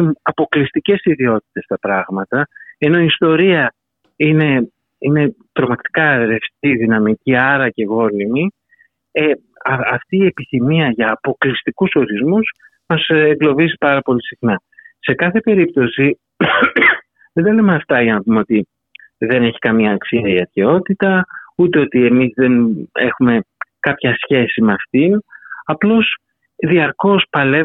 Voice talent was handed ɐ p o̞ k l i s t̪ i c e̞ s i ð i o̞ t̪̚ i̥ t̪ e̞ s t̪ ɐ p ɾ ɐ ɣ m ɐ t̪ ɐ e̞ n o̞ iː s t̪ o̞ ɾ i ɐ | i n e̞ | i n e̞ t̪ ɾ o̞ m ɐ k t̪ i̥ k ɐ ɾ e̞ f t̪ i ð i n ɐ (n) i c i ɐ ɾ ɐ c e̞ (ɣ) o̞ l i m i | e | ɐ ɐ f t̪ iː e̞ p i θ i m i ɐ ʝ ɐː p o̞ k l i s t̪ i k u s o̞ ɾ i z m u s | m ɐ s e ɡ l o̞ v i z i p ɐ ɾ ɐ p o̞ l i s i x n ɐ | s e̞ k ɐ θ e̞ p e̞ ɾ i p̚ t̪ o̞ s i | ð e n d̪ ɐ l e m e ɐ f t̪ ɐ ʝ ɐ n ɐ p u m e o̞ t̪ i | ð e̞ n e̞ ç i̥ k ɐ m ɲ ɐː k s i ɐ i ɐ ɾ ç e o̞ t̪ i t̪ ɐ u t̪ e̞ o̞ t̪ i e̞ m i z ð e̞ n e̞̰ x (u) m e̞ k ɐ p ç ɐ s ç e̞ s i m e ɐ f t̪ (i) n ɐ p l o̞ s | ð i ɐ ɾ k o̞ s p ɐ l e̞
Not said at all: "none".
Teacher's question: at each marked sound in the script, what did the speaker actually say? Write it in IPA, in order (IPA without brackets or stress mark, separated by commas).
m, ɣ, u, i